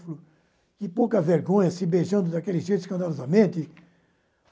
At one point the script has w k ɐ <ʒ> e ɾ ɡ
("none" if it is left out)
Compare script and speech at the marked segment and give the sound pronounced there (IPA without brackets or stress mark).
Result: v